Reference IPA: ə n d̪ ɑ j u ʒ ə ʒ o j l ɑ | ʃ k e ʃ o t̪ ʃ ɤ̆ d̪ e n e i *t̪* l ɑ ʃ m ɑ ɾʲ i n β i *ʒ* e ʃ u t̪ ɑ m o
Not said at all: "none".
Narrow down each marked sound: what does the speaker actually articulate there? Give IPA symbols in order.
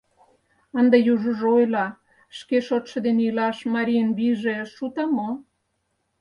none, ʒ

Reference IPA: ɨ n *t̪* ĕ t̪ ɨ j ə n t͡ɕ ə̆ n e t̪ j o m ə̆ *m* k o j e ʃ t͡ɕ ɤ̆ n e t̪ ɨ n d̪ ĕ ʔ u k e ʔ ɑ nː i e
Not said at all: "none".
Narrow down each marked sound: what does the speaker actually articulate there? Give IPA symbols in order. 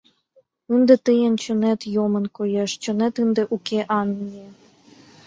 d̪, n

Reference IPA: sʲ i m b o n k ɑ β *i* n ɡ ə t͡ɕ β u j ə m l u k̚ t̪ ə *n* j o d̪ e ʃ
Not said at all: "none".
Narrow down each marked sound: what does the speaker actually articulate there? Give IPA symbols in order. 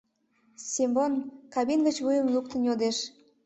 i, n

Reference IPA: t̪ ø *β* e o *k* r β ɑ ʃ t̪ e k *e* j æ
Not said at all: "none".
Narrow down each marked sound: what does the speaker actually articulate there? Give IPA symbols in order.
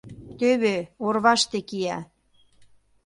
β, none, i

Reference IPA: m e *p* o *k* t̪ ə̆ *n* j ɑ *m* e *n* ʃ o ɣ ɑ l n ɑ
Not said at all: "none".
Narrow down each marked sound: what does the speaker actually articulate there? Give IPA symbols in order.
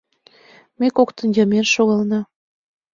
k, k, n, m, n

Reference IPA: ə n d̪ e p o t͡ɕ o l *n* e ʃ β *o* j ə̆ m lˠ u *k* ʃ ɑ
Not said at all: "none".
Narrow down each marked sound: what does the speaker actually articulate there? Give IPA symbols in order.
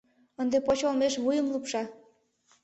m, u, p

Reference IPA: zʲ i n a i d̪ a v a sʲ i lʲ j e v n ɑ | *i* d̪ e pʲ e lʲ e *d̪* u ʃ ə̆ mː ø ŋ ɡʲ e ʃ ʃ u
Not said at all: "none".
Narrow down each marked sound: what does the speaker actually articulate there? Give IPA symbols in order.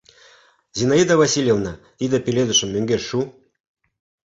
i, d̪

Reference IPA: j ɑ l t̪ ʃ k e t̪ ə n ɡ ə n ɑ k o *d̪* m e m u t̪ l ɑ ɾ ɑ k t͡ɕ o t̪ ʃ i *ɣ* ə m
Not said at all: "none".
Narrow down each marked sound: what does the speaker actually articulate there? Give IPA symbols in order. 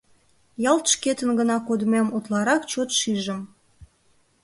d̪, ʒ

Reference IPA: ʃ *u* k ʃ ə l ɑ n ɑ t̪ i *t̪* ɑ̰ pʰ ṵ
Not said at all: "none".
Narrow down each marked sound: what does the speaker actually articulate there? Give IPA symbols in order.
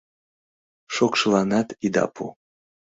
o, d̪

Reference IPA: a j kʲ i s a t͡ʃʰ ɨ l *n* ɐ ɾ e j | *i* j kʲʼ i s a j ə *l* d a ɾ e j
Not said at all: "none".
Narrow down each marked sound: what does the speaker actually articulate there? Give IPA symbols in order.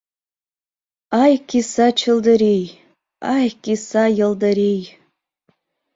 d, a, l

